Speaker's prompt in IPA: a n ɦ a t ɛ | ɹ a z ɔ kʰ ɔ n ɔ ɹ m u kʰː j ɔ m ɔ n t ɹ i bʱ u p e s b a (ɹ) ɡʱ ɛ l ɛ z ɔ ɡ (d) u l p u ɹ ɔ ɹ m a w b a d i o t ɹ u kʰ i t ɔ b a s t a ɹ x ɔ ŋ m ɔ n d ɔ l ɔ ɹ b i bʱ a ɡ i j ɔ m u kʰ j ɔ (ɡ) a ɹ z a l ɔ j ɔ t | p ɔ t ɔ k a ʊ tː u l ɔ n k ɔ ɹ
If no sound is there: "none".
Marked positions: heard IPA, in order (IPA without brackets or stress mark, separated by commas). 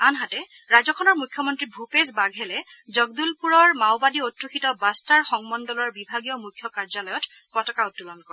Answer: none, d, k